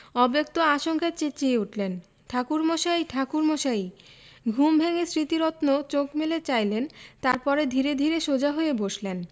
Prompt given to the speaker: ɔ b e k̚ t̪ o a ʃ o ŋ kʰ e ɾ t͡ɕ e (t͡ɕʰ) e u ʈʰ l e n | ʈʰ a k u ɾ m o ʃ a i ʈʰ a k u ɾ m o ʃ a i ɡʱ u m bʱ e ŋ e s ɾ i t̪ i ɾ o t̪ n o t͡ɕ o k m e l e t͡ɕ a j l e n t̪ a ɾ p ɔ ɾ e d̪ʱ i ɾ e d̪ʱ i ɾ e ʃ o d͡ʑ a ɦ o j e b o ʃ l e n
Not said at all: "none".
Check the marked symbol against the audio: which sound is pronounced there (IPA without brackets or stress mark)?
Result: t͡ɕ